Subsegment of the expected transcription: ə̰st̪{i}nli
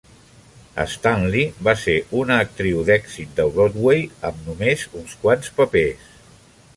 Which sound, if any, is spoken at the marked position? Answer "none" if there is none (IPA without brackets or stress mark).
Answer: a